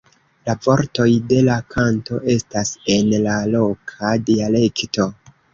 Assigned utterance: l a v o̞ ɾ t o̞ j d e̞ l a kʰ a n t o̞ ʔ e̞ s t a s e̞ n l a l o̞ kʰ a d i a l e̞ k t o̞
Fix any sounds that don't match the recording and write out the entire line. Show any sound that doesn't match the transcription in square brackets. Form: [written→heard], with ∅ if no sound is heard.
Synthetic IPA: l a v o̞ ɾ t o̞ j d e̞ l a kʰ a n t o̞ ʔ e̞ s t a s e̞ n l a l o̞ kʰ a d i a l e̞ k t o̞